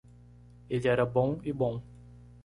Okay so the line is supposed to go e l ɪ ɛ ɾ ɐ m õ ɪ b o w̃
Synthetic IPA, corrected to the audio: e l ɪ ɛ ɾ ɐ b õ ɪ b õ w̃